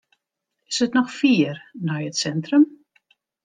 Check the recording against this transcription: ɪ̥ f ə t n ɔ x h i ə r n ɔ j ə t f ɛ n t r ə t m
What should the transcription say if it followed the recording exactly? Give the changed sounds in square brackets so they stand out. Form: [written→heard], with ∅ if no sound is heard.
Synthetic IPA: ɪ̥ [f→s] ə t n ɔ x [h→f] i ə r n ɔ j ə t [f→s] ɛ n t r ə [t→∅] m